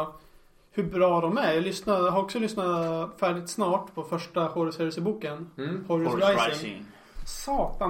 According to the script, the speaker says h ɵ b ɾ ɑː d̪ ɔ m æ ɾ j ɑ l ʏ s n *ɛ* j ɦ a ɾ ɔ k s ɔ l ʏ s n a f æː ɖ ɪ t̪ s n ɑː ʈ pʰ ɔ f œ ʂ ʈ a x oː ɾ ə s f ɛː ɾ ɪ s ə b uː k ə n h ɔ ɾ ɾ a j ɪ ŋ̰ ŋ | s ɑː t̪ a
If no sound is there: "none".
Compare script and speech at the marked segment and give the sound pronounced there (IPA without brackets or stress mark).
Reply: a